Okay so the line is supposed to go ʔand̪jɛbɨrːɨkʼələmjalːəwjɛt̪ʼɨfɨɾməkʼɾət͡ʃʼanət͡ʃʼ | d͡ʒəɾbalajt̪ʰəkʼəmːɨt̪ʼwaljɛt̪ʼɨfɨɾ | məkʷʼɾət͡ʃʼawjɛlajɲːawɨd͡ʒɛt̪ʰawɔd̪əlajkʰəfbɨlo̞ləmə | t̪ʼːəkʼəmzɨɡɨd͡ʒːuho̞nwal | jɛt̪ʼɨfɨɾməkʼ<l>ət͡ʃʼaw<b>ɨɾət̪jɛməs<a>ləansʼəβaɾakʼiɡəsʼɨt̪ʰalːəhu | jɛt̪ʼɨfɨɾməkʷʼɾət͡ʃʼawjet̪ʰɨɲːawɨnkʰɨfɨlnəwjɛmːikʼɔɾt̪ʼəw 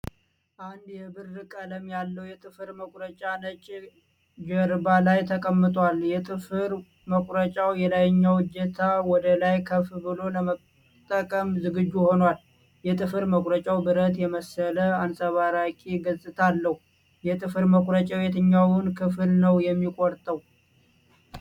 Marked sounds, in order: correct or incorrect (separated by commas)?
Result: incorrect, correct, incorrect